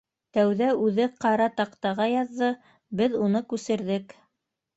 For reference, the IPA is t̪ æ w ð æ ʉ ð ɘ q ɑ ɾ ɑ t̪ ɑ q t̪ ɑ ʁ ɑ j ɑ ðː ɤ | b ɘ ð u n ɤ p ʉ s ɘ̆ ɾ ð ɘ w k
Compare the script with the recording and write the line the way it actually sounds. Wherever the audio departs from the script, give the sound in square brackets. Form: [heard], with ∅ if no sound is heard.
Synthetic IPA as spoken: t̪ æ w ð æ ʉ ð ɘ q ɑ ɾ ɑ t̪ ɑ q t̪ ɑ ʁ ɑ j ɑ ðː ɤ | b ɘ ð u n ɤ [k] ʉ s ɘ̆ ɾ ð ɘ [∅] k